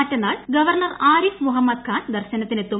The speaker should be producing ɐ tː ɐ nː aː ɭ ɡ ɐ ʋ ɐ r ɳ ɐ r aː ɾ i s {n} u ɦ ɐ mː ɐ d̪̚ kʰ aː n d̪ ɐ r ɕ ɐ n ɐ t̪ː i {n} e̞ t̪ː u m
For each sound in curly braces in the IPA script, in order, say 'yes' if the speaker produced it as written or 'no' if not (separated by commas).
no, yes